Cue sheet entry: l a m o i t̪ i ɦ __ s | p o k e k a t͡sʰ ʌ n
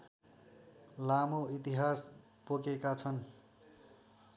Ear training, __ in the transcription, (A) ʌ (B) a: B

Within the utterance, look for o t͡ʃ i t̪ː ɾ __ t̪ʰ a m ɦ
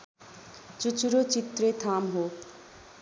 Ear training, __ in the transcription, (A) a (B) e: B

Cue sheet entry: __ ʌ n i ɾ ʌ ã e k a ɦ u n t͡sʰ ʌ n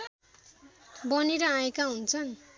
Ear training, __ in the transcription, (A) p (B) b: B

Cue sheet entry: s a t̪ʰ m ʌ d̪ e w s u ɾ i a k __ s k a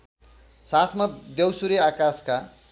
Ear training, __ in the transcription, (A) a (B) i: A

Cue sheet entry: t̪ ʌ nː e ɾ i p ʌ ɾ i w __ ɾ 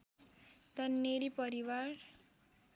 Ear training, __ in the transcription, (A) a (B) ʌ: A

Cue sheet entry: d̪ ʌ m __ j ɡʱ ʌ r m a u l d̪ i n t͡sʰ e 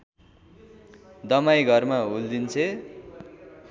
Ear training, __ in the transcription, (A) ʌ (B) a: B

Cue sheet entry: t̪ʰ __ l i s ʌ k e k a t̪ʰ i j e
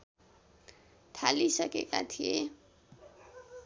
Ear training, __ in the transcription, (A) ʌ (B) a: B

